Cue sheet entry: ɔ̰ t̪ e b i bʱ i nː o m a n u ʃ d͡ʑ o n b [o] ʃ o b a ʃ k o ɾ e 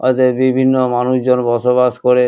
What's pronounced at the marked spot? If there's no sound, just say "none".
ɔ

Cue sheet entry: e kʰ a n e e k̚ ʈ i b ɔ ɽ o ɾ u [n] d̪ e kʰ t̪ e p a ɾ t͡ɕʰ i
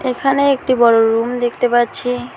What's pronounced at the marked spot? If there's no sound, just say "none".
m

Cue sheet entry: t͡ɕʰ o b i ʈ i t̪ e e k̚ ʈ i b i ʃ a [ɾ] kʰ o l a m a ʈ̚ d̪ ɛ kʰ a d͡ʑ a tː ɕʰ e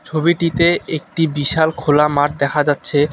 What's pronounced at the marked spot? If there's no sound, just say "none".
l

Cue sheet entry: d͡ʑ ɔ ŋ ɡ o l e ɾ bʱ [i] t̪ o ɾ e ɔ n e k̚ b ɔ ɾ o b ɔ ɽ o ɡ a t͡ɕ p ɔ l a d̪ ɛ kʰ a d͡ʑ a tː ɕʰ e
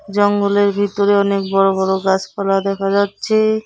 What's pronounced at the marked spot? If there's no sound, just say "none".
i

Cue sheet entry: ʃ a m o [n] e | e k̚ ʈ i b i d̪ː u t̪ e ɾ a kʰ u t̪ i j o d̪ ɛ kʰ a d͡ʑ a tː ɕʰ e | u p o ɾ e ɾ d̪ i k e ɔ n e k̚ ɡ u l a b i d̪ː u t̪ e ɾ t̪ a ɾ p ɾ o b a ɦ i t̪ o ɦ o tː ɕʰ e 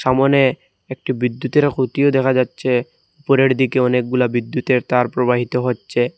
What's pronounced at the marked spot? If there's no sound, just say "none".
n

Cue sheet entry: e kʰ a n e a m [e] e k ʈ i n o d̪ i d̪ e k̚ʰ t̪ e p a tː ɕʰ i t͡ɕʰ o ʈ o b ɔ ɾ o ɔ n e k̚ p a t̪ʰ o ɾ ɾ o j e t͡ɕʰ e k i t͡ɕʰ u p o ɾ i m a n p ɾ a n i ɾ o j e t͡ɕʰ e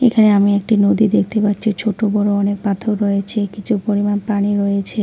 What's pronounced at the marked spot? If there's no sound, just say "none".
i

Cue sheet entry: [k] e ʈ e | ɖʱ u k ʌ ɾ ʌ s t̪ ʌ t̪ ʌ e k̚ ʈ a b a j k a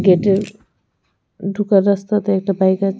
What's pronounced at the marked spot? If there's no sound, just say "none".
ɡ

